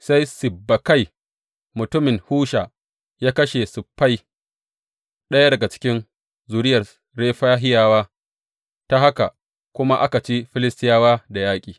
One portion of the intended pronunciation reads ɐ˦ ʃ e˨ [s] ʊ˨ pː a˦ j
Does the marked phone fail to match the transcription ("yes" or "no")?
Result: no